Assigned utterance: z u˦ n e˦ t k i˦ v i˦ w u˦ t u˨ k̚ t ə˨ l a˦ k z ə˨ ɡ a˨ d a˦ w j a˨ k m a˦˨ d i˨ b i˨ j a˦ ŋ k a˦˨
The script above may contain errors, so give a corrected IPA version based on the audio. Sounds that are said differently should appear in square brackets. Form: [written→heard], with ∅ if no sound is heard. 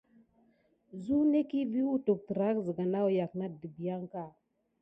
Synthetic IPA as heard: z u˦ n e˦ [t→∅] k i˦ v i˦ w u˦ t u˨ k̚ t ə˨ [l→ɾ] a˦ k z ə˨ ɡ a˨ [d→n] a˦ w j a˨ k [m→n] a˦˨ d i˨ b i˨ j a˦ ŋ k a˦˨